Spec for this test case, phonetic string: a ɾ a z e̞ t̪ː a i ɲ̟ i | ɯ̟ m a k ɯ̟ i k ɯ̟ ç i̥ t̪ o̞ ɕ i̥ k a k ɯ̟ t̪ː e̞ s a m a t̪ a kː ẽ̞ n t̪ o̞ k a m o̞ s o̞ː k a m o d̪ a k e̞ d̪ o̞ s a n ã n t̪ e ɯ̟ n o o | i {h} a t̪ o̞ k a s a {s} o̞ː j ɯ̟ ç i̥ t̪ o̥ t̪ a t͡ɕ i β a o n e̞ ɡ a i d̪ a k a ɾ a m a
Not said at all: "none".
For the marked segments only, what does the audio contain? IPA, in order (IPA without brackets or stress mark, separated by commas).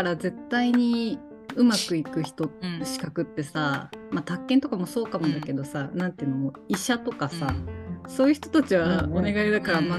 ɕ, s